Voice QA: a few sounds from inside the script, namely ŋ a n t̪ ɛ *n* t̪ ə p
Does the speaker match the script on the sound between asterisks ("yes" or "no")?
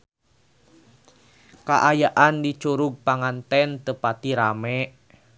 yes